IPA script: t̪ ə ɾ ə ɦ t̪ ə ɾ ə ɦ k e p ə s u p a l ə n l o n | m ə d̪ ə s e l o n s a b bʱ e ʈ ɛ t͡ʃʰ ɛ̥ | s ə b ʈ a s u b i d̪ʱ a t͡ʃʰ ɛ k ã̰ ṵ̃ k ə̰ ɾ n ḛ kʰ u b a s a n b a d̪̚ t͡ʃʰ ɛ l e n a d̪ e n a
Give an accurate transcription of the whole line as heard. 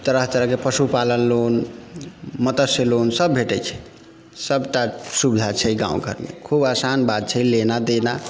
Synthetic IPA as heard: t̪ ə ɾ ə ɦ t̪ ə ɾ ə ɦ k e p ə s u p a l ə n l o n | m ə t̪ ə s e l o n s ə b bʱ e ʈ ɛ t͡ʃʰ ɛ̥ | s ə b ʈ a s u b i d̪ʱ a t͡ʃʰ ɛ ɡ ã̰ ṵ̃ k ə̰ ɾ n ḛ kʰ u b a s a n b a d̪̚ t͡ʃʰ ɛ l e n a d̪ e n a

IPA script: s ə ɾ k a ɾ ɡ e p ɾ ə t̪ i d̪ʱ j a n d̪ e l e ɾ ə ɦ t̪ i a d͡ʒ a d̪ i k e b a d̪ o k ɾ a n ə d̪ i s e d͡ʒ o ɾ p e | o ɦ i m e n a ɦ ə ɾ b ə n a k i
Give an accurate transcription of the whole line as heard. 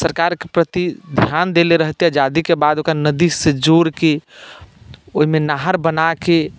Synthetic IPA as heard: s ə ɾ k a ɾ k e p ɾ ə t̪ i d̪ʱ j a n d̪ e l e ɾ ə ɦ t̪ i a d͡ʒ a d̪ i k e b a d̪ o k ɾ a n ə d̪ i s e d͡ʒ o ɾ k e | o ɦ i m e n a ɦ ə ɾ b ə n a k e

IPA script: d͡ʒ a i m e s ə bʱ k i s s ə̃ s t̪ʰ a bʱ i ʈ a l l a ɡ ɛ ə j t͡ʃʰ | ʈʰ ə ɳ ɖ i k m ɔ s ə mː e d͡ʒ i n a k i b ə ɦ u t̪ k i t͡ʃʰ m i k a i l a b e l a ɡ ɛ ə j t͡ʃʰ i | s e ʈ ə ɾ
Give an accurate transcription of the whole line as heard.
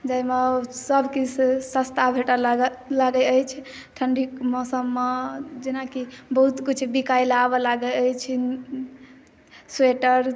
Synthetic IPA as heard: d͡ʒ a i m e s ə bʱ k i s s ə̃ s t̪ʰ a bʱ e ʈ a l l a ɡ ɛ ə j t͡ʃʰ | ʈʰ ə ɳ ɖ i k m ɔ s ə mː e d͡ʒ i n a k i b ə ɦ u t̪ k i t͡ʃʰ b i k a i l a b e l a ɡ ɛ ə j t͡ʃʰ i | s e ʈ ə ɾ

